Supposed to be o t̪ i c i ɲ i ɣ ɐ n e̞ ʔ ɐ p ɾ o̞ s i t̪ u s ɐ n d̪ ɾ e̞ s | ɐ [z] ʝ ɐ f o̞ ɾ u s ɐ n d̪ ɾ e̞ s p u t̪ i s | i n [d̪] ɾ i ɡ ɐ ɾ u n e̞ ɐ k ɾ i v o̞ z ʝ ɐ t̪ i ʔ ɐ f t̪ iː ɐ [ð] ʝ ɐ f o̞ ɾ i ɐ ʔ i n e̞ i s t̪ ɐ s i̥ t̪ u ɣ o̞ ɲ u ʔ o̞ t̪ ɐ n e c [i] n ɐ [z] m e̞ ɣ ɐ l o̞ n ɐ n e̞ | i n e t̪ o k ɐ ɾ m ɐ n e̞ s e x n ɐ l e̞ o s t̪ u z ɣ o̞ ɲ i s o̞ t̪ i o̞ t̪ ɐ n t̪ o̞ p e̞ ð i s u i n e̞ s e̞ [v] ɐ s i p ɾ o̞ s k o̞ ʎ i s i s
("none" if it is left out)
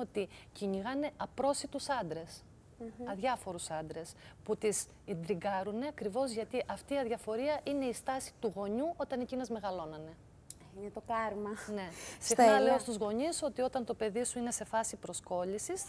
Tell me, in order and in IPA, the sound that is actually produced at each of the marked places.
ð, d̪, ð, i, z, f

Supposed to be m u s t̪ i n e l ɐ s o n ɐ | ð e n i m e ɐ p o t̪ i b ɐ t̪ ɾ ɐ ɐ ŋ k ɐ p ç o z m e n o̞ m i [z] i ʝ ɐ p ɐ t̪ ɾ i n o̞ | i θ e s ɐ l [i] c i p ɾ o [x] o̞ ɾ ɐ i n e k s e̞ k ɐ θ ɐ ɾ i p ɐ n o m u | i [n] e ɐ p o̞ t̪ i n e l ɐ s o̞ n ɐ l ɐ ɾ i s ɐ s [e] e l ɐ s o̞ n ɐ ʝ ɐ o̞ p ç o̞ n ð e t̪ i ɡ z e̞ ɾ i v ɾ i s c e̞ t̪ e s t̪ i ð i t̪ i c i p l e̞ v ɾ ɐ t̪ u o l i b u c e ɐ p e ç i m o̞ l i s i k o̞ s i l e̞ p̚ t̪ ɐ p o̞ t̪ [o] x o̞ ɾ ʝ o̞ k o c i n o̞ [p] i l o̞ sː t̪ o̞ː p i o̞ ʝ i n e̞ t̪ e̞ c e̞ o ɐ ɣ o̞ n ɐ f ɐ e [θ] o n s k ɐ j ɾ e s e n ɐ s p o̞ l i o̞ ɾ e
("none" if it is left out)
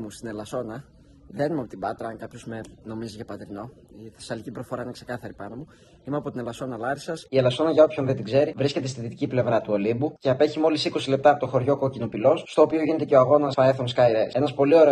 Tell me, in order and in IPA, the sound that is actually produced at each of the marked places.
z, i, f, m, i, o, p, θ

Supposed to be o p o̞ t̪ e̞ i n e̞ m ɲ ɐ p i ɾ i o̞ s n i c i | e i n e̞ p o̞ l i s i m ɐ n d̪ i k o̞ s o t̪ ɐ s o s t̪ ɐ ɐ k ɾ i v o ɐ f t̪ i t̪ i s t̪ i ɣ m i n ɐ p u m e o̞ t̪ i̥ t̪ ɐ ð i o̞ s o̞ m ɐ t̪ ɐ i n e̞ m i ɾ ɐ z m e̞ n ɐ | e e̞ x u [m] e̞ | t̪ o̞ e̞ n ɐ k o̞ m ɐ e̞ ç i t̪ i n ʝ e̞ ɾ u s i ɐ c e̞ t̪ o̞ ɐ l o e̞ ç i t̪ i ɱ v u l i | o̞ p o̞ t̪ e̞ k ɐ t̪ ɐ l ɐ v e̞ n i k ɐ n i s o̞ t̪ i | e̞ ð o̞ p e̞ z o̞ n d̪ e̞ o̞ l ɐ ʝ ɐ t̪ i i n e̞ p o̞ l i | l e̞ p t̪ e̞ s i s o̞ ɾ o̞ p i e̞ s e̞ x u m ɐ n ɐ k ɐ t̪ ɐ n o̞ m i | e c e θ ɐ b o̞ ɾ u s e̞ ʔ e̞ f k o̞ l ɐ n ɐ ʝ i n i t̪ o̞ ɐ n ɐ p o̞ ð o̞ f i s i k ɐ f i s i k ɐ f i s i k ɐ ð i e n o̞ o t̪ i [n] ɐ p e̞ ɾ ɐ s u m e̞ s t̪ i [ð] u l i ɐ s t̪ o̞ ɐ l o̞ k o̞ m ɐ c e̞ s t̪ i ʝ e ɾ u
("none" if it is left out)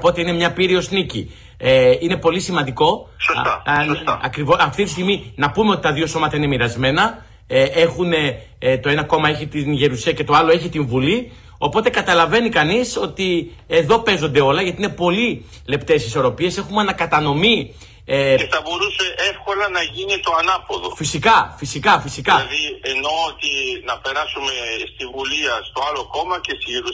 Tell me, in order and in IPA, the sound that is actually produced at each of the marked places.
n, n, v

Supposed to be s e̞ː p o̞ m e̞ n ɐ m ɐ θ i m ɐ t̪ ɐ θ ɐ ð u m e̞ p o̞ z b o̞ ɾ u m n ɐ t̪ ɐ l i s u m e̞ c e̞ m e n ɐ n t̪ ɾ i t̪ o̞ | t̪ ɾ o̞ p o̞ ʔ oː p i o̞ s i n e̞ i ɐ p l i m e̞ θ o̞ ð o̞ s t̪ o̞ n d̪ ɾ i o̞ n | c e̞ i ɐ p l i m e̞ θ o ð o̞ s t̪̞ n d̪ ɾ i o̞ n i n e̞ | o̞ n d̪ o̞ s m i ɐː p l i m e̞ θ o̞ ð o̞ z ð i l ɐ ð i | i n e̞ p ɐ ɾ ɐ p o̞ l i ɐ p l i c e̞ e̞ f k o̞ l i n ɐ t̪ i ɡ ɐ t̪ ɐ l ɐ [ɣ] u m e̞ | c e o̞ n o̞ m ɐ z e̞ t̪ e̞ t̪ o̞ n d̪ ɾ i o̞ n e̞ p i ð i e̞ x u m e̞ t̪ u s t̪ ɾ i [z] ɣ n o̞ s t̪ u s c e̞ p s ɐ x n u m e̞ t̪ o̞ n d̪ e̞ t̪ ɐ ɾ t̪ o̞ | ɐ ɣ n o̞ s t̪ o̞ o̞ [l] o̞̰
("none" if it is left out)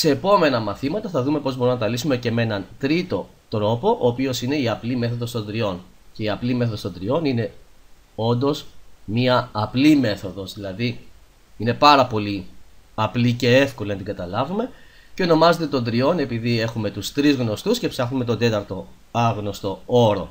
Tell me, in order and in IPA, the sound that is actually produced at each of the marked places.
v, z, ɾ

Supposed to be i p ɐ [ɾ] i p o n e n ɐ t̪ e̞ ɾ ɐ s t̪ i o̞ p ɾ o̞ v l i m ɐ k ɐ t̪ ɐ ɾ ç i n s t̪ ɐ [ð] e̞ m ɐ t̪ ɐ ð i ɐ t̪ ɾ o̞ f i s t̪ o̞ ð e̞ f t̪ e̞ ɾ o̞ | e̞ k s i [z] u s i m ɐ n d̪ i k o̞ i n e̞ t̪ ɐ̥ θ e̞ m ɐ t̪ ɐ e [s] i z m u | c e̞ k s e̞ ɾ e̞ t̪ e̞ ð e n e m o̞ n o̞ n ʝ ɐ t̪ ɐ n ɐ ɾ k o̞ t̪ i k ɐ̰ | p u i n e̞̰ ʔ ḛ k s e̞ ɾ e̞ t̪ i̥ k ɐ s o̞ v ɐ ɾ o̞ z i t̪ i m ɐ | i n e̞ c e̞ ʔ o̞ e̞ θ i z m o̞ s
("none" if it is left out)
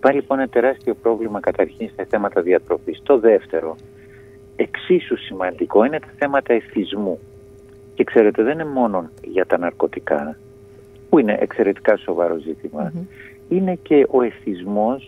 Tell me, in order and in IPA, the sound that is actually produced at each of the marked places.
l, θ, s, θ

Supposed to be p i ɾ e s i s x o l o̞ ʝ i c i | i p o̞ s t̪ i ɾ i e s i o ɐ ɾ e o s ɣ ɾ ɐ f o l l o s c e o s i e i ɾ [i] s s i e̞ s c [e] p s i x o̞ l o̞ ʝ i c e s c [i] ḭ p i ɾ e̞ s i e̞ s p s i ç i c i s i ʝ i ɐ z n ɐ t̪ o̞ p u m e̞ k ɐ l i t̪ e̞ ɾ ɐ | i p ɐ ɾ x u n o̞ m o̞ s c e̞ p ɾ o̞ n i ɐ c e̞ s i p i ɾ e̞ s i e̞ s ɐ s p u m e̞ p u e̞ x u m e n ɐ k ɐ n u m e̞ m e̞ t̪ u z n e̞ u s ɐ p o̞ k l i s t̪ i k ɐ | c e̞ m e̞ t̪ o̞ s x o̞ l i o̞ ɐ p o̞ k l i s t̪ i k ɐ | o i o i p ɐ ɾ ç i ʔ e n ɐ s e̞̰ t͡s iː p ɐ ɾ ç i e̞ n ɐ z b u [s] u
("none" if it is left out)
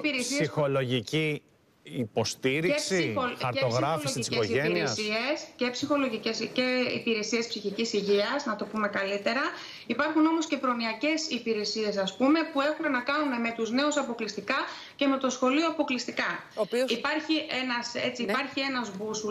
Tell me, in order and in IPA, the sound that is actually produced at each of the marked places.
e, e, e, s

